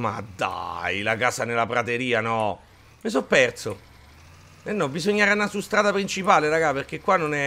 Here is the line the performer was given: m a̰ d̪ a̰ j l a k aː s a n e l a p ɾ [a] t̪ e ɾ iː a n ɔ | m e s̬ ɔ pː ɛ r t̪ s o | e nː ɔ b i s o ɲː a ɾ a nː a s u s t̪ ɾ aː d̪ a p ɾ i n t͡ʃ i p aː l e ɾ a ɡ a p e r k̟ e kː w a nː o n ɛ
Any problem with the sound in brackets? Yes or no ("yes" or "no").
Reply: no